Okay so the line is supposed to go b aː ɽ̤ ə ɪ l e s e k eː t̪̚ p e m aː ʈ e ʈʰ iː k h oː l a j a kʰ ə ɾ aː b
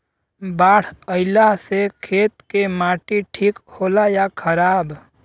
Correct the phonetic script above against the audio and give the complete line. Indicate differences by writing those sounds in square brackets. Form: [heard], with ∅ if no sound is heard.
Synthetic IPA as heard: b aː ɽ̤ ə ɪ l [a] s e [kʰ] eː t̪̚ [k] e m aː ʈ [i] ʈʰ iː k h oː l a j a kʰ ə ɾ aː b